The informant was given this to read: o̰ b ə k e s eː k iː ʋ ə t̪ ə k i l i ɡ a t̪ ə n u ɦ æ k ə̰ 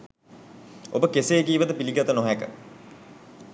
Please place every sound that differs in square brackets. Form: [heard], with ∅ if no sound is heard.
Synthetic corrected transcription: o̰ b ə k e s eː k iː ʋ ə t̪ ə [p] i l i ɡ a t̪ ə n [o] ɦ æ k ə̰